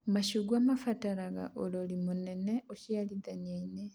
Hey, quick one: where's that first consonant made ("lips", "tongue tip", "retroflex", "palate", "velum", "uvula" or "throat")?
lips